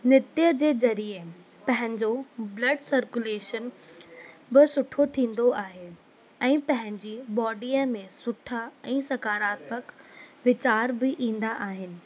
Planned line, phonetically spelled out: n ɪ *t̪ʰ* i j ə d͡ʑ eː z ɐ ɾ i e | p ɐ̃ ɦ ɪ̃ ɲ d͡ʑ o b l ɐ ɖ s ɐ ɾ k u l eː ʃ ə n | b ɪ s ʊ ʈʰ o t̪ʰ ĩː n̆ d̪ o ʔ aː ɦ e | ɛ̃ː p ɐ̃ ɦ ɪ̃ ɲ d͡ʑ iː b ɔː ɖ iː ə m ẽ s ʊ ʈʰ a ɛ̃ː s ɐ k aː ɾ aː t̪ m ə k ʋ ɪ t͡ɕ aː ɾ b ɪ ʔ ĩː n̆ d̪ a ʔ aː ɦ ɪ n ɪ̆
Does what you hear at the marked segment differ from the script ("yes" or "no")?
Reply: yes